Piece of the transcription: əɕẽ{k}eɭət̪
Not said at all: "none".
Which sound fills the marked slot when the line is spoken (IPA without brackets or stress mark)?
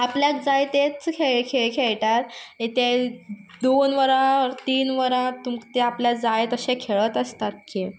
kʰ